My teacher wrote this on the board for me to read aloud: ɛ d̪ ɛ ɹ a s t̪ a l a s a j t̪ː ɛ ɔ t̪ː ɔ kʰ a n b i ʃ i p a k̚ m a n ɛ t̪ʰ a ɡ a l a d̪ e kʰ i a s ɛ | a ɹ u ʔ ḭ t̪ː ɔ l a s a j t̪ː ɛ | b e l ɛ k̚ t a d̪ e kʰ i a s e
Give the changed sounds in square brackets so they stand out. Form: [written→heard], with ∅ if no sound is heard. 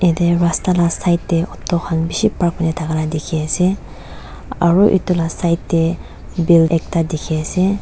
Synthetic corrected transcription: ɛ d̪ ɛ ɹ a s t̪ a l a s a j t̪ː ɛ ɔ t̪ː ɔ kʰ a n b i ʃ i p a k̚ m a n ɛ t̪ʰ a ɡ a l a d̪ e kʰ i a s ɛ | a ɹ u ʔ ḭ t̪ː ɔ l a s a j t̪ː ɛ | b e l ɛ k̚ t a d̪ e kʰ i a s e